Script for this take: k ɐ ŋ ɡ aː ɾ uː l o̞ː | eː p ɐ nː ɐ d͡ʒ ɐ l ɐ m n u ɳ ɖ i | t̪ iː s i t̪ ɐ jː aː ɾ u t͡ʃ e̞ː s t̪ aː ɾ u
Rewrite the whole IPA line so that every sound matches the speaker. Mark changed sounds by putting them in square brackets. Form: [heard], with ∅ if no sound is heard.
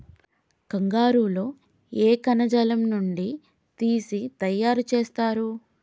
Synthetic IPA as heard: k ɐ ŋ ɡ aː ɾ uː l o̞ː | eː [k] ɐ [n] ɐ d͡ʒ ɐ l ɐ m n u ɳ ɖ i | t̪ iː s i t̪ ɐ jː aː ɾ u t͡ʃ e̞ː s t̪ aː ɾ u